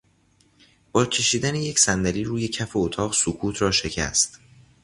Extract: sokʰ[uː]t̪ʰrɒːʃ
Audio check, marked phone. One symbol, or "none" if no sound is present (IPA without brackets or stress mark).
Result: uː